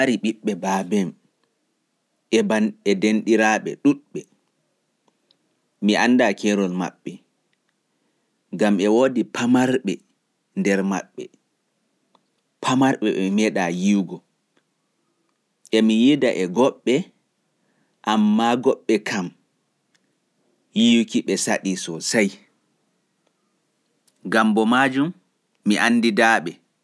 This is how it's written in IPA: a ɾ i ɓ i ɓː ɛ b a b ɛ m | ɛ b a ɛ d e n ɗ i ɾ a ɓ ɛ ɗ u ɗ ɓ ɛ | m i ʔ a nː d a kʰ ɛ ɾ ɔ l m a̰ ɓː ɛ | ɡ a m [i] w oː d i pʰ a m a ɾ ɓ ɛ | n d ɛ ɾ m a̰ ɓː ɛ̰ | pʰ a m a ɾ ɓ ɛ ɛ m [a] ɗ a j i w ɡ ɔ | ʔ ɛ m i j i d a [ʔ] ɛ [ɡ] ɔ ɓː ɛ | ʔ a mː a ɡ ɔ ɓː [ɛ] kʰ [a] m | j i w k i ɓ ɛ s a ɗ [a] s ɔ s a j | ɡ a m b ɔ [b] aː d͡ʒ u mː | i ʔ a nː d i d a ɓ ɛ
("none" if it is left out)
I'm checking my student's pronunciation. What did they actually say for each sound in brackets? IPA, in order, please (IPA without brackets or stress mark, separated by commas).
ɛ, ɛ, ʔ, ɡ, ɛ, a, i, m